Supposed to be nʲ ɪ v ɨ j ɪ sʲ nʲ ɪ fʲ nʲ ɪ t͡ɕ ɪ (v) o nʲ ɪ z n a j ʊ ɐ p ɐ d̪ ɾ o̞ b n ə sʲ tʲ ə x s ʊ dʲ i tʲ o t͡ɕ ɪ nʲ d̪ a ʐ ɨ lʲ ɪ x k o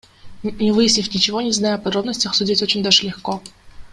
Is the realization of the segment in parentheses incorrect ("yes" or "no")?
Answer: no